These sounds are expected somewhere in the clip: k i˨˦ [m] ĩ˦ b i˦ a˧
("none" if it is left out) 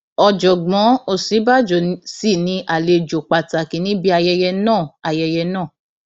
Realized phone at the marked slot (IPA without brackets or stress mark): n